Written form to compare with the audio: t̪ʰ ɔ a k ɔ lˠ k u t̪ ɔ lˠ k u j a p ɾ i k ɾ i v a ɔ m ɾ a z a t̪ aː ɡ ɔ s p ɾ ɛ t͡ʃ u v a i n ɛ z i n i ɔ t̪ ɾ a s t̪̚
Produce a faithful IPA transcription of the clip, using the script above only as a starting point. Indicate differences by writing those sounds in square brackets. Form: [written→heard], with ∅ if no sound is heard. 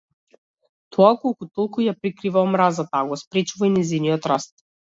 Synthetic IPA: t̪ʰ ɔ a k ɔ lˠ k u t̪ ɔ lˠ k u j a p ɾ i k ɾ i v a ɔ m ɾ a z a t̪ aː ɡ ɔ s p ɾ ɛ t͡ʃ u v a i n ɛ z i n i ɔ t̪ ɾ a s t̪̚

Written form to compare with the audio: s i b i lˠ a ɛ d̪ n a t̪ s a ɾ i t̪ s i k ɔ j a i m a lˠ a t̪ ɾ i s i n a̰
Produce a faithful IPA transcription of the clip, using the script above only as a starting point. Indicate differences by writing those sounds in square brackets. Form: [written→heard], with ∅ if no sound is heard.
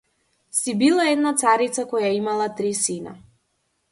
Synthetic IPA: s i b i lˠ a ɛ d̪ n a t̪ s a ɾ i t̪ s [i→a] k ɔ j a i m a lˠ a t̪ ɾ i s i n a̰

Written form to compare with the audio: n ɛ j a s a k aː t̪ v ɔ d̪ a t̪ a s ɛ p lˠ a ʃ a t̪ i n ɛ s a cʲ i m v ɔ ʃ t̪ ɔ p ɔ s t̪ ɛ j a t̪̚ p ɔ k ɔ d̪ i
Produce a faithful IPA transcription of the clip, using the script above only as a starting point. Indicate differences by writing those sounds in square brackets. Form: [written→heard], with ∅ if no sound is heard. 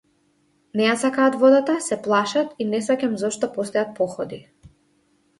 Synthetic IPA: n ɛ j a s a k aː t̪ v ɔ d̪ a t̪ a s ɛ p lˠ a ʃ a t̪ i n ɛ s a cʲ [i→a] m [v→z] ɔ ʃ t̪ ɔ p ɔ s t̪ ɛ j a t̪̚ p ɔ [k→x] ɔ d̪ i

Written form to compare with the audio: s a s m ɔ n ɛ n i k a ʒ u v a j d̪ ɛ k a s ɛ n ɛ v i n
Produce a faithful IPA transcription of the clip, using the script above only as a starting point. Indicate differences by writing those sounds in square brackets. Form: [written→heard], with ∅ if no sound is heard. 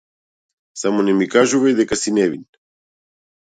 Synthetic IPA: s a [s→∅] m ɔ n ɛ [n→m] i k a ʒ u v a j d̪ ɛ k a s [ɛ→i] n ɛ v i n

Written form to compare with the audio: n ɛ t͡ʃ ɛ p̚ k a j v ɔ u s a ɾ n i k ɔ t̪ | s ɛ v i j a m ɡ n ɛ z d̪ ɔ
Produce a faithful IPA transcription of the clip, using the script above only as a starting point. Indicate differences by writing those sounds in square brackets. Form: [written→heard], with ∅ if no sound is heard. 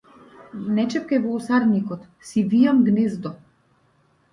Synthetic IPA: n ɛ t͡ʃ ɛ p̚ k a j v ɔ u s a ɾ n i k ɔ t̪ | s [ɛ→i] v i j a m ɡ n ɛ z d̪ ɔ

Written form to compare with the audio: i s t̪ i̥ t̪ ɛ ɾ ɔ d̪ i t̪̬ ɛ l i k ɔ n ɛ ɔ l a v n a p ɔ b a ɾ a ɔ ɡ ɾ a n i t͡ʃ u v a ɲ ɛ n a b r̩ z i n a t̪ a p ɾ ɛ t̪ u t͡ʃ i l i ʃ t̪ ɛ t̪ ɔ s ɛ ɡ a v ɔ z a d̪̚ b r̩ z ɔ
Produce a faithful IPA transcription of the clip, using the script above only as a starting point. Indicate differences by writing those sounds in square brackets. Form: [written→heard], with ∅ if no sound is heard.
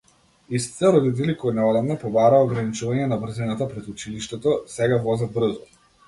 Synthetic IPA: i s t̪ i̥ t̪ ɛ ɾ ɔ d̪ i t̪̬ ɛ l i k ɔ n ɛ ɔ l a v n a p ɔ b a ɾ a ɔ ɡ ɾ a n i t͡ʃ u v a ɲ ɛ n a b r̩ z i n a t̪ a p ɾ ɛ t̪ u t͡ʃ i l i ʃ t̪ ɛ t̪ ɔ s ɛ ɡ a v ɔ z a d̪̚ b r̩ z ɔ

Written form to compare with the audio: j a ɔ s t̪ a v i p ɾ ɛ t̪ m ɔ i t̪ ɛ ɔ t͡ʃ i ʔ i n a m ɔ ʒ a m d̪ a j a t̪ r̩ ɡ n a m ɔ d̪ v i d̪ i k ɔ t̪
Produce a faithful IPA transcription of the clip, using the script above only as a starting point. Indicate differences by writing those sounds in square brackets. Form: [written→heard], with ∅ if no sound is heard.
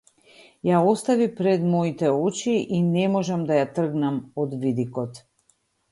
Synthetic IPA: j a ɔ s t̪ a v i p ɾ ɛ [t̪→d̪] m ɔ i t̪ ɛ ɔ t͡ʃ i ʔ i n [a→ɛ] m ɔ ʒ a m d̪ a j a t̪ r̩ ɡ n a m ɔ d̪ v i d̪ i k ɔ t̪

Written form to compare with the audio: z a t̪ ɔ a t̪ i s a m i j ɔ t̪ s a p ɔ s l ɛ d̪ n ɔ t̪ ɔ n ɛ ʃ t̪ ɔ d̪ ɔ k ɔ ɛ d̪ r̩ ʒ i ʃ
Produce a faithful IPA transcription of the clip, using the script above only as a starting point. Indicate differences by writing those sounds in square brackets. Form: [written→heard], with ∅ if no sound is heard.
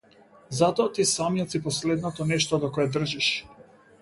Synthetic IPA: z a t̪ ɔ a t̪ i s a m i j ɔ t̪ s [a→i] p ɔ s l ɛ d̪ n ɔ t̪ ɔ n ɛ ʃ t̪ ɔ d̪ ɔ k ɔ ɛ d̪ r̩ ʒ i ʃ

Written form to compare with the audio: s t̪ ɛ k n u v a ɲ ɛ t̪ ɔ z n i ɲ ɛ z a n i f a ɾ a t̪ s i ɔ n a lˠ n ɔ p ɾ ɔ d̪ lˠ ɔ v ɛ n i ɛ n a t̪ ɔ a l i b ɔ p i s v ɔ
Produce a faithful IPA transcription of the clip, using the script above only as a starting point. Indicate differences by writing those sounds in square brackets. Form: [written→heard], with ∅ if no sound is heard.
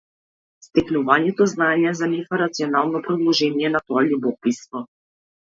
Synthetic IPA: s t̪ ɛ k n u v a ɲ ɛ t̪ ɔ z n [i→a] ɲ ɛ z a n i f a ɾ a t̪ s i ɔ n a lˠ n ɔ p ɾ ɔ d̪ lˠ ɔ [v→ʒ] ɛ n i ɛ n a t̪ ɔ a l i b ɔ p i s v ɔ

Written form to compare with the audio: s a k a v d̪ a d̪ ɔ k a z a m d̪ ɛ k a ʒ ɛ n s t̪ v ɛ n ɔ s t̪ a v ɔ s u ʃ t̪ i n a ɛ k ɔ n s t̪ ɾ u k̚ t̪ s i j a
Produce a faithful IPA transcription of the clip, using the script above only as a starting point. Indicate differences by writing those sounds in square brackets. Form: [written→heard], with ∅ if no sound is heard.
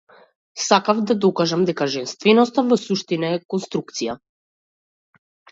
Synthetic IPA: s a k a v d̪ a d̪ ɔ k a [z→ʒ] a m d̪ ɛ k a ʒ ɛ n s t̪ v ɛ n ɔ s t̪ a v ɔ s u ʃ t̪ i n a ɛ k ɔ n s t̪ ɾ u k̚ t̪ s i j a

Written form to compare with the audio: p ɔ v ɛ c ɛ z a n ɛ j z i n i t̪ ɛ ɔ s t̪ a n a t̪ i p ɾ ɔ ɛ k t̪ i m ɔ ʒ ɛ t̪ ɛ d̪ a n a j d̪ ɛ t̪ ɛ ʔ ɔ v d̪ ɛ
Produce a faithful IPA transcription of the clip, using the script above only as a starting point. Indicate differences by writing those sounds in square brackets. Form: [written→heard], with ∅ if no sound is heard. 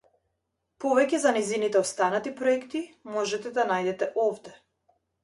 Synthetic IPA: p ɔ v ɛ c ɛ z a n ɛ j z i n i t̪ ɛ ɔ s t̪ a n a t̪ i p ɾ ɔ ɛ k t̪ i m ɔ ʒ ɛ t̪ ɛ d̪ a n a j d̪ ɛ t̪ ɛ ʔ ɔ v d̪ ɛ

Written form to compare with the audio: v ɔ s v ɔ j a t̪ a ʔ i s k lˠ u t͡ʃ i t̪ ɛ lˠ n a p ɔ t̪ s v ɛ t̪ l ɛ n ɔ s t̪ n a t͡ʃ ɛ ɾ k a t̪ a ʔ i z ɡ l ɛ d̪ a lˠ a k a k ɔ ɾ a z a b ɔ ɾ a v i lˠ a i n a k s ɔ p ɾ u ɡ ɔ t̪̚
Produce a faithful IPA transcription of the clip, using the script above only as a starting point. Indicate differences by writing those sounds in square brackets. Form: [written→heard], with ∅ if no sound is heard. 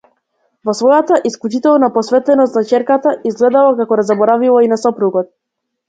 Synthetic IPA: v ɔ s v ɔ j a t̪ a ʔ i s k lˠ u t͡ʃ i t̪ ɛ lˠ n a p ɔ [t̪→∅] s v ɛ t̪ l ɛ n ɔ s t̪ n a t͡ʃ ɛ ɾ k a t̪ a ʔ i z ɡ l ɛ d̪ a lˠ a k a k ɔ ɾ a z a b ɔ ɾ a v i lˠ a i n a [k→∅] s ɔ p ɾ u ɡ ɔ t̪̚

